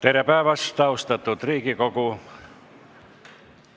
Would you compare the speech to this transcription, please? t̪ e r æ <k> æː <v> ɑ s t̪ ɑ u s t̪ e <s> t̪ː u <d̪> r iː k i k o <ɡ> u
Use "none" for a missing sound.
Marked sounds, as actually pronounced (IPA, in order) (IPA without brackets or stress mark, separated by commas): p, ʋ, none, t̪, k